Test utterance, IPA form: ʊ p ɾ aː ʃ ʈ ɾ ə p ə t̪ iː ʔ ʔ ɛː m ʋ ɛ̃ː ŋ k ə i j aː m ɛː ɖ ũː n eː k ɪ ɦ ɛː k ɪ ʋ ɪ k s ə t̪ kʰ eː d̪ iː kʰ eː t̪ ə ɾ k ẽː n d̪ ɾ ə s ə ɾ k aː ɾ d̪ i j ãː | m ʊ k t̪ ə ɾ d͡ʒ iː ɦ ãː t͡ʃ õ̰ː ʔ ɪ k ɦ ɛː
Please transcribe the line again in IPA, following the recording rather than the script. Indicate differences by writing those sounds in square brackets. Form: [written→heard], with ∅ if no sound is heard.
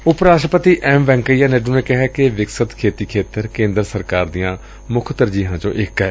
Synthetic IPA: ʊ p ɾ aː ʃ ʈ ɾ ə p ə t̪ iː ʔ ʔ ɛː m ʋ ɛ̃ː ŋ k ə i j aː [m→n] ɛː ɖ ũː n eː k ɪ ɦ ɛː k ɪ ʋ ɪ k s ə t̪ kʰ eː [d̪→t̪] iː kʰ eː t̪ ə ɾ k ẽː n d̪ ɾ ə s ə ɾ k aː ɾ d̪ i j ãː | m ʊ [k→kʰ] t̪ ə ɾ d͡ʒ iː ɦ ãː t͡ʃ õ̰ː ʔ ɪ k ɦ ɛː